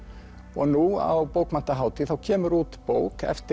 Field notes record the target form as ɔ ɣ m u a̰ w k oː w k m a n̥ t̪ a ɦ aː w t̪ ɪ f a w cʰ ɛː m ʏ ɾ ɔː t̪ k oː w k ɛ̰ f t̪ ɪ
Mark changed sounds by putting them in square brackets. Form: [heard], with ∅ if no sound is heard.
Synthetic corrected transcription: ɔ ɣ [n] u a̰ w [p] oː w k m a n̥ t̪ a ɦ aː w t̪ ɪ [θ] a w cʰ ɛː m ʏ ɾ [uː] t̪ [p] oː w k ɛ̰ f t̪ ɪ